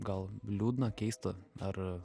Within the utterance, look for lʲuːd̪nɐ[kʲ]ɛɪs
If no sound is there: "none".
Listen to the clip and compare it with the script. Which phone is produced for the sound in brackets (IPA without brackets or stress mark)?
kʲ